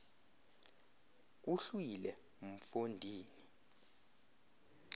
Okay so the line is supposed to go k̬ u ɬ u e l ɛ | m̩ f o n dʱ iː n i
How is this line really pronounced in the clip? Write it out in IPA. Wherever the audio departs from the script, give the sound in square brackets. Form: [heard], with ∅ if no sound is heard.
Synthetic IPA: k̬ u ɬ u [i] l ɛ | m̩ f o n dʱ iː n i